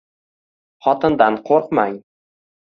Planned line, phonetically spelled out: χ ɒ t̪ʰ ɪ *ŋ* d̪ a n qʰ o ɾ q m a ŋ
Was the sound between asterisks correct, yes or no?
no